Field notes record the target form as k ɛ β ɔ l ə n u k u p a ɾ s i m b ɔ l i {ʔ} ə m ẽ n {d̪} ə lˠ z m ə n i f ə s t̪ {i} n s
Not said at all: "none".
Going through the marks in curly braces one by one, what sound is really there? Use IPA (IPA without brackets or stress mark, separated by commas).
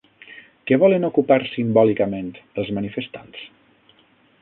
k, t̪, a